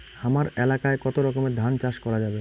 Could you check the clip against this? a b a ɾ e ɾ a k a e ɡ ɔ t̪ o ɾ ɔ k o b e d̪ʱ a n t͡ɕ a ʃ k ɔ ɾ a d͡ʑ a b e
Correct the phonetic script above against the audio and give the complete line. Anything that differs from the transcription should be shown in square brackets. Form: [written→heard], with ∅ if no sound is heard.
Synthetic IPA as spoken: a [b→m] a ɾ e [ɾ→l] a k a e [ɡ→k] ɔ t̪ o ɾ ɔ k o [b→m] e d̪ʱ a n t͡ɕ a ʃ k ɔ ɾ a d͡ʑ a b e